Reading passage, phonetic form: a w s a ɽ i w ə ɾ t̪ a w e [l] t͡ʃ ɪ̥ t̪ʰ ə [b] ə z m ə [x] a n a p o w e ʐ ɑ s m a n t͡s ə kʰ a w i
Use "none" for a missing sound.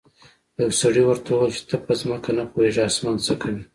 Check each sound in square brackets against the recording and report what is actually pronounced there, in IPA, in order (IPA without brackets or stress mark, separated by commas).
l, p, k